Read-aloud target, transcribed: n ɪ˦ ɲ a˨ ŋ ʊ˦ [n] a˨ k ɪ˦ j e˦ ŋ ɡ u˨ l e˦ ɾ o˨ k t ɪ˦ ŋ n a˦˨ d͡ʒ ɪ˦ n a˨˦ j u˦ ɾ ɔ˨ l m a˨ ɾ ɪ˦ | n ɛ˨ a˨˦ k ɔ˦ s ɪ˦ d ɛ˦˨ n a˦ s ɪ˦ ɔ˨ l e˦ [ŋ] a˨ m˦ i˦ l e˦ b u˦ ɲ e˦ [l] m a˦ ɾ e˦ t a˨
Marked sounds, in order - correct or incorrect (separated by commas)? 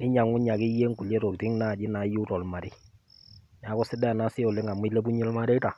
incorrect, correct, correct